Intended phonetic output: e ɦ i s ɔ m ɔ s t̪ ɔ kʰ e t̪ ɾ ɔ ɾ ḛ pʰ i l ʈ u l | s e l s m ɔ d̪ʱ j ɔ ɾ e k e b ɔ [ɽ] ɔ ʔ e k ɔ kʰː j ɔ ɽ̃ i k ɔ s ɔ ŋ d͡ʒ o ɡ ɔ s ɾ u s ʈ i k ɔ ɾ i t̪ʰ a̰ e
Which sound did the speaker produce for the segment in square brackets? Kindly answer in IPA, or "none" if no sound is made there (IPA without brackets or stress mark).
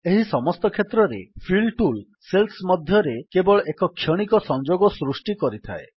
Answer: ɭ